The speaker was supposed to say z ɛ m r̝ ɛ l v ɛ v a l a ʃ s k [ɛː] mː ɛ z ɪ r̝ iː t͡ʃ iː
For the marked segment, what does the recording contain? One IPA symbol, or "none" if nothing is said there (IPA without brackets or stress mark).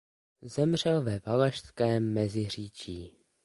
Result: ɛː